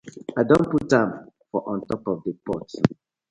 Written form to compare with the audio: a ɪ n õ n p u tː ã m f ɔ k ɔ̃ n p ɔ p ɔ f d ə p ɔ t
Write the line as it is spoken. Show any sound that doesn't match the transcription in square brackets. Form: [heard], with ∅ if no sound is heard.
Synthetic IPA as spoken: a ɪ [d] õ n p u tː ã m f ɔ [ʔ] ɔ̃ n [t] ɔ p ɔ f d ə p ɔ t